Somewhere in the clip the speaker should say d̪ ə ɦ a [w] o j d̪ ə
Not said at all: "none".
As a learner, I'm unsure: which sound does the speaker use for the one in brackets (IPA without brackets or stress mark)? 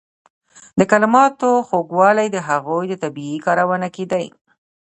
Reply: ɣ